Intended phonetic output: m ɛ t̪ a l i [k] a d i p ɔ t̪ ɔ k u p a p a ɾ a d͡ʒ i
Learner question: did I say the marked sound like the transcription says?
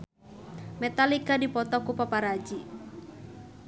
yes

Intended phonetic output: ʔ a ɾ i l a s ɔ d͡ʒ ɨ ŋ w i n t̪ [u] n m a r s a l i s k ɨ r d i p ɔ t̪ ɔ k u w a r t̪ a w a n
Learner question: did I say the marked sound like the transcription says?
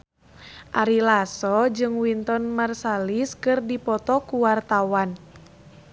no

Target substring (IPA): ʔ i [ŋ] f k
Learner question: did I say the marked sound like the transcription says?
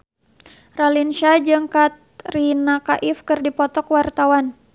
no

